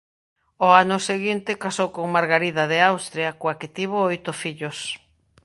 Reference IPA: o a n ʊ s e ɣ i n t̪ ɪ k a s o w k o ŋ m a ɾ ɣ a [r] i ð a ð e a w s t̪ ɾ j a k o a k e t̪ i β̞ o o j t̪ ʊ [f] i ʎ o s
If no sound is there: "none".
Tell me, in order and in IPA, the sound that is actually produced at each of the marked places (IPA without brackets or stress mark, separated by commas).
ɾ, f